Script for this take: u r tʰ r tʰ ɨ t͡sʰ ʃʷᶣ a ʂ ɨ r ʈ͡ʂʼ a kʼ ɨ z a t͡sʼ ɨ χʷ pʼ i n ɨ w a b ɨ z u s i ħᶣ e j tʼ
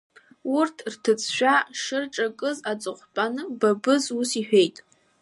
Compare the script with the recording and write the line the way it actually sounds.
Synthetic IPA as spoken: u r tʰ r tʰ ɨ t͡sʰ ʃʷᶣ a ʂ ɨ r ʈ͡ʂʼ a kʼ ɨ z a t͡sʼ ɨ χʷ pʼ a n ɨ b a b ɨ z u s i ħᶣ e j tʼ